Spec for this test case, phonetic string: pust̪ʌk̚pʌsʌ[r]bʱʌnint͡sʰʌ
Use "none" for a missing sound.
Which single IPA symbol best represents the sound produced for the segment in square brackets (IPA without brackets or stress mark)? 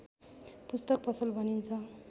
l